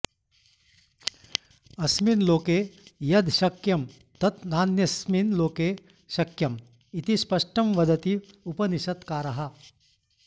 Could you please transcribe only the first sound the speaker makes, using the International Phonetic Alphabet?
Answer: ɐ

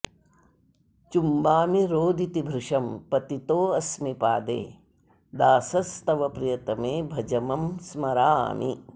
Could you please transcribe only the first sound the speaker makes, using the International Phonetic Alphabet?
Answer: t͡ʃ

